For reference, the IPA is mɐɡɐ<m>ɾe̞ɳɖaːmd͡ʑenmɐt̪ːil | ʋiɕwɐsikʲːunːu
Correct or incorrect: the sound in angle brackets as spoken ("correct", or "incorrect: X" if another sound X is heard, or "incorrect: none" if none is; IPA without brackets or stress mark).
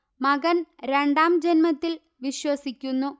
incorrect: n